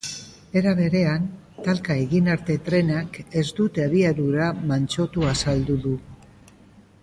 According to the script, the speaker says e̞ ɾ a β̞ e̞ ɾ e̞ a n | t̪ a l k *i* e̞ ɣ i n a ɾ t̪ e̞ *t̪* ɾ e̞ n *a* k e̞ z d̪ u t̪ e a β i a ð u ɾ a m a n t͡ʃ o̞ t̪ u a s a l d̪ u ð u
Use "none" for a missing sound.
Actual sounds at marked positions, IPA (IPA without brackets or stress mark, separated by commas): a, t̪, a